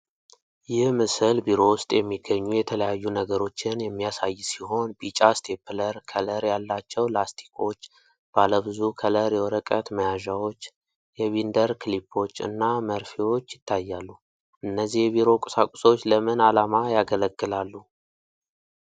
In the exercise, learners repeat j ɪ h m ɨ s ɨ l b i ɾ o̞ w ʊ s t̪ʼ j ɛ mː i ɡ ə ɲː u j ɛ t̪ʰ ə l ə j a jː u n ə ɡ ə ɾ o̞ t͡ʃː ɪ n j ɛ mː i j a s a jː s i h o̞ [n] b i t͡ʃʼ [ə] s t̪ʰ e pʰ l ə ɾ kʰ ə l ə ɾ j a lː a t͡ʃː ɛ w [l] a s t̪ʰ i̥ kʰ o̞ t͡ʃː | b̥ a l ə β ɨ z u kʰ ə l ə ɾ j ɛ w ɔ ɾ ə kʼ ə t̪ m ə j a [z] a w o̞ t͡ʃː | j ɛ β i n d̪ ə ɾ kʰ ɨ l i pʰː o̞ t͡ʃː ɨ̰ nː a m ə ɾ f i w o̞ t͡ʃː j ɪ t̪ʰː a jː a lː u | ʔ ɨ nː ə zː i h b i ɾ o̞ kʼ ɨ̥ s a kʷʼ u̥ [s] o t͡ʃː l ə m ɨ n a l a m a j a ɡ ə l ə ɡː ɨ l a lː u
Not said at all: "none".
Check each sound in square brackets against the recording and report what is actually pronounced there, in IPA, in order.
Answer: n, a, l, ʒ, s

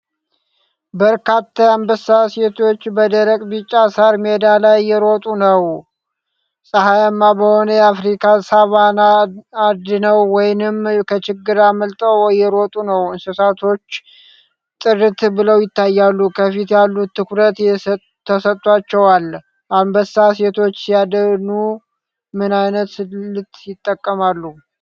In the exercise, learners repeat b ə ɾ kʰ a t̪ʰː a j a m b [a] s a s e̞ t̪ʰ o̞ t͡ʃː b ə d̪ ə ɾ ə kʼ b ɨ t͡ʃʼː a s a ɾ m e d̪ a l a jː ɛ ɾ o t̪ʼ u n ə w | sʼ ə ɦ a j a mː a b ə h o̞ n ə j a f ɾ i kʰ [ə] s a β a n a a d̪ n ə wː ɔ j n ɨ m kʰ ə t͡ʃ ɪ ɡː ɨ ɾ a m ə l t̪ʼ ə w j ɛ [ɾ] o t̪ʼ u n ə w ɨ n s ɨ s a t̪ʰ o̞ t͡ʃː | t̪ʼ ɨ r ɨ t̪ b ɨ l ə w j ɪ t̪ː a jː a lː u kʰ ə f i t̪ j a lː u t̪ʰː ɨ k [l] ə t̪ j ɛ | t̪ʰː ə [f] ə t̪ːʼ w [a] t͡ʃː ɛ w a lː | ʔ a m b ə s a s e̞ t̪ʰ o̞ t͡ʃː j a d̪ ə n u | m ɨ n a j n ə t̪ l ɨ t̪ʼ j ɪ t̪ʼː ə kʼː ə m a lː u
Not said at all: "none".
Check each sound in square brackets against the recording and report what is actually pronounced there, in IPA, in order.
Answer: ə, a, ɾ, ɾ, s, a

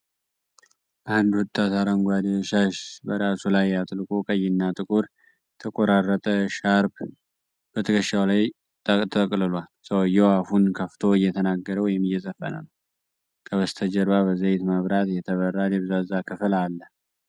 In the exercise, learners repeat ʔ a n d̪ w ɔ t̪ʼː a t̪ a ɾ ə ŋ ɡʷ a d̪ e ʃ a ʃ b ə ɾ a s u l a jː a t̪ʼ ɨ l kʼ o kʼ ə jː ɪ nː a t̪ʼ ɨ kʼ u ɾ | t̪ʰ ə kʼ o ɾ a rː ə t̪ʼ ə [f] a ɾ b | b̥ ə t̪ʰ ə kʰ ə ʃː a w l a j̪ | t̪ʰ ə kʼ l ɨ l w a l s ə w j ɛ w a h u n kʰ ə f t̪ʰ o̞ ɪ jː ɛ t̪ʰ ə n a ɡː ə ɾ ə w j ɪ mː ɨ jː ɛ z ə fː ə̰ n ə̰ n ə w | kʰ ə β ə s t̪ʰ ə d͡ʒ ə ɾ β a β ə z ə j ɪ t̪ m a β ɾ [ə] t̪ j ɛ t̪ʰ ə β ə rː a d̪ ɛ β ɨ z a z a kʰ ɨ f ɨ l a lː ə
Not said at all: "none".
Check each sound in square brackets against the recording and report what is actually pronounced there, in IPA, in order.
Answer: ʃ, a

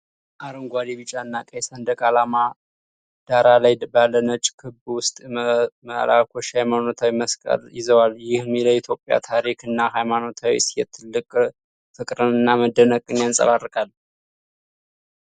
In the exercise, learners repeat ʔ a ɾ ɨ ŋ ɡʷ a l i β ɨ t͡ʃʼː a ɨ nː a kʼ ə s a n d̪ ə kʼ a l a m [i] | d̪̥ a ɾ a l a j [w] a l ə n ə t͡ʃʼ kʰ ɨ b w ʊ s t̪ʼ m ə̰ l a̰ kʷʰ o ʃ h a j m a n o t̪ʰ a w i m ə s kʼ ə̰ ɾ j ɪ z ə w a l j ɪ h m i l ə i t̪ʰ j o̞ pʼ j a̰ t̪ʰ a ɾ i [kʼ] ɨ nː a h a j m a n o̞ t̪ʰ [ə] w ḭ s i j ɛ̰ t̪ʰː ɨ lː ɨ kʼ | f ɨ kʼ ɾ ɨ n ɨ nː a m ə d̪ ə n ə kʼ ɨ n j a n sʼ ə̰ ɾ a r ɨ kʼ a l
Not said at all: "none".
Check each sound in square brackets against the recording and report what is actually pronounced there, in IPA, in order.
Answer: a, b, k, a

